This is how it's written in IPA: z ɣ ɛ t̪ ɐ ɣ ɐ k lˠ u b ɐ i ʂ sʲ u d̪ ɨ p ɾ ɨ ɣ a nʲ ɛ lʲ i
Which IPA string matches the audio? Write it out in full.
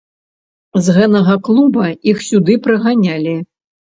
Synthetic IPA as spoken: z ɣ ɛ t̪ ɐ ɣ ɐ k lˠ u b ɐ i x sʲ u d̪ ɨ p ɾ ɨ ɣ a nʲ a lʲ i